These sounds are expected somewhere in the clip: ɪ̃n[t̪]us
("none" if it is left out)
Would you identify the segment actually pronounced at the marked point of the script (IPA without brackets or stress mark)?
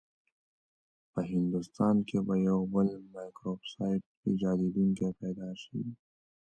d̪